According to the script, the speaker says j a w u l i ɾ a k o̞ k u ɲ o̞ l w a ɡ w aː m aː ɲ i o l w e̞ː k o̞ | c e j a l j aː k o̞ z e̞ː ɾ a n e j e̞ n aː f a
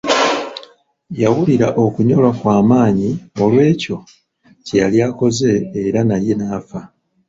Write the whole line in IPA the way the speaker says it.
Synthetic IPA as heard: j a w u l i ɾ a ʔ o̞ k u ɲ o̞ l w a k w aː m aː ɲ i o l w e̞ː c o̞ | c e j a l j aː k o̞ z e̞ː ɾ a n a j e̞ n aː f a